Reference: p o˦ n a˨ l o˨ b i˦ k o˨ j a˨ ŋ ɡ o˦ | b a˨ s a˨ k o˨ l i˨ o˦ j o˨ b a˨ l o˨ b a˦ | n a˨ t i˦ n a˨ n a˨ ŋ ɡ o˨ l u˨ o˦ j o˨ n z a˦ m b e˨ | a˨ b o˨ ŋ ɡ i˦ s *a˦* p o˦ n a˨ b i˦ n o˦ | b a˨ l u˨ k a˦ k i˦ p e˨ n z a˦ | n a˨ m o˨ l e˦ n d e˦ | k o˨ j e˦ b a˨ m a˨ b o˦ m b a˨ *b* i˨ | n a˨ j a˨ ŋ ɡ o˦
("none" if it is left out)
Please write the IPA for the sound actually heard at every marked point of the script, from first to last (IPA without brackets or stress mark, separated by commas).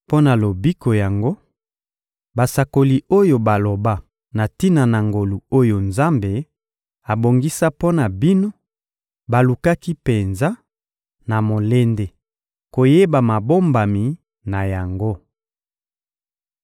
a˦, m